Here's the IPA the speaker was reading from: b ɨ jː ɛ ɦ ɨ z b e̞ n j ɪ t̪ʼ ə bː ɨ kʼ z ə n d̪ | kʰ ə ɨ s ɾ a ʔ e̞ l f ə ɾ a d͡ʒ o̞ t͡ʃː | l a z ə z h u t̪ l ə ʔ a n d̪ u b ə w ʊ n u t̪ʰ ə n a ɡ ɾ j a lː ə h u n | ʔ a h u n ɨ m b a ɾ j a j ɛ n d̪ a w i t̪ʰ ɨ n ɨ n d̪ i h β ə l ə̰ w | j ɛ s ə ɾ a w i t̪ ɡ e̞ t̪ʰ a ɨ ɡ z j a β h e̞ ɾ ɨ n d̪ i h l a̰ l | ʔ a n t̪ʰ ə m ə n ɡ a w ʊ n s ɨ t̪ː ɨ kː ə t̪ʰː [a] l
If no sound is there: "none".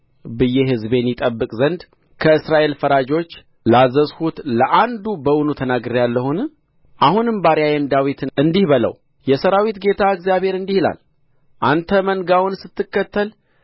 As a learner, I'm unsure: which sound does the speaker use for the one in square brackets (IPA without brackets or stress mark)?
ə